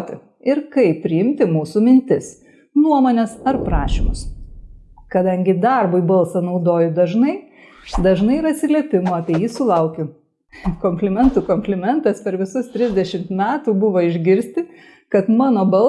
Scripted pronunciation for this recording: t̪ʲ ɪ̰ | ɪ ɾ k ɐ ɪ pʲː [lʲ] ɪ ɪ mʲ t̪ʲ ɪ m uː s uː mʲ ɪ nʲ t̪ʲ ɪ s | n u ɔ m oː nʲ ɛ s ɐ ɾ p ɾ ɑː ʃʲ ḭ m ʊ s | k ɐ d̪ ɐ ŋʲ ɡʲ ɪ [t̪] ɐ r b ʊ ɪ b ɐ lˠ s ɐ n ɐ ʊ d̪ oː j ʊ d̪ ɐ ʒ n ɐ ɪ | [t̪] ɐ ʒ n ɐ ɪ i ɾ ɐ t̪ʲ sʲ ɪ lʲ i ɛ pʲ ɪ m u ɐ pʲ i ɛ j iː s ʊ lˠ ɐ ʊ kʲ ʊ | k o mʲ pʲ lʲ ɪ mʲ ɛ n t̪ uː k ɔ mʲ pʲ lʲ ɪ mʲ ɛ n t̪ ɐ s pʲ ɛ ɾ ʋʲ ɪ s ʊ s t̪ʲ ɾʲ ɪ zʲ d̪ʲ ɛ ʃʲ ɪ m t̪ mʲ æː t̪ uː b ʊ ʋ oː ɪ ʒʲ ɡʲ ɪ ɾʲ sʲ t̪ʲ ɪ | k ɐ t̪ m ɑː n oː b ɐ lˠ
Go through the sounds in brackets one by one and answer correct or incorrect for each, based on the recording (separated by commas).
incorrect, incorrect, incorrect